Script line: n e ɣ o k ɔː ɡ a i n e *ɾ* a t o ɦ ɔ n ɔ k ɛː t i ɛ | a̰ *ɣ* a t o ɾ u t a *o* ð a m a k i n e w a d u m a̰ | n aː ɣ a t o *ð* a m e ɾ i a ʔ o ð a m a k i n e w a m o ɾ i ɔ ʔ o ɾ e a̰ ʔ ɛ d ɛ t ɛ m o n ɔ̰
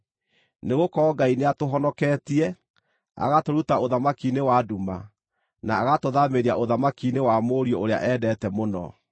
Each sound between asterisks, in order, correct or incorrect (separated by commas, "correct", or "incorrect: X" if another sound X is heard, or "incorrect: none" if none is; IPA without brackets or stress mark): incorrect: none, correct, correct, correct